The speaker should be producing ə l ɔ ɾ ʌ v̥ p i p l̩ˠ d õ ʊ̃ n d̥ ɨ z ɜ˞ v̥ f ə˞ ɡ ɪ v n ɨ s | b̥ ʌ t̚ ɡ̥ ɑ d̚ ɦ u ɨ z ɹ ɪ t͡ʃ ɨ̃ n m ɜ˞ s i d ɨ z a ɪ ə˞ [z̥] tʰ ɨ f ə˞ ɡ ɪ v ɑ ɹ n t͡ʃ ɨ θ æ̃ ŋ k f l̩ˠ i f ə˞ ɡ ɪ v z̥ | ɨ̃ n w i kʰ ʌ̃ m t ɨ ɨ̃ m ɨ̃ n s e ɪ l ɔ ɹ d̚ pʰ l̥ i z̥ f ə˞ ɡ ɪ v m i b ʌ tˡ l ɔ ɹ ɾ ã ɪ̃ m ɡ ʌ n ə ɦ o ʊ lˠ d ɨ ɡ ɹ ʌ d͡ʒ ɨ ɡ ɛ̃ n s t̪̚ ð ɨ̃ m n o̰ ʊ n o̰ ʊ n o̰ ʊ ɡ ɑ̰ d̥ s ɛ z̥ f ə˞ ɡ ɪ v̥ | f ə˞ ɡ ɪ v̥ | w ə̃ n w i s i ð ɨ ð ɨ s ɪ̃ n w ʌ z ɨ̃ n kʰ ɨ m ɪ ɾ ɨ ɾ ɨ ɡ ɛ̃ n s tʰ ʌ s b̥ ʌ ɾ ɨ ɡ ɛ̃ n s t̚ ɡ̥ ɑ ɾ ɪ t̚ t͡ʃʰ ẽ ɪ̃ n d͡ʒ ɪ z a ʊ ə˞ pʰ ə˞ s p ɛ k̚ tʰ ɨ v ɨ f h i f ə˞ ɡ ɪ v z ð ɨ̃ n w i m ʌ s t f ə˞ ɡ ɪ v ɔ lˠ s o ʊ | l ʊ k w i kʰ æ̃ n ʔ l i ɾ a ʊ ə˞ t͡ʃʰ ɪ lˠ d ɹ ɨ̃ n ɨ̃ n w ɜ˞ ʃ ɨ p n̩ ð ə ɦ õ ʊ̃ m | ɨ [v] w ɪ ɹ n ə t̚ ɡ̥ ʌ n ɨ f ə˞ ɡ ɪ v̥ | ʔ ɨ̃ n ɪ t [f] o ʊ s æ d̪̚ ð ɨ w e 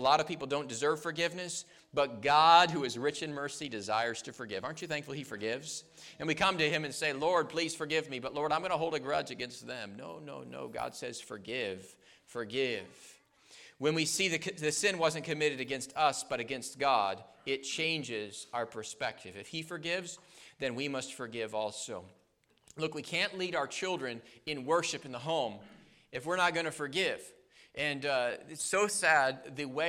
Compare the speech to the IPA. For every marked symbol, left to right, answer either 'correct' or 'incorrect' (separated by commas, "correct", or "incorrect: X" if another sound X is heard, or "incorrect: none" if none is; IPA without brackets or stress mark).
correct, incorrect: f, incorrect: s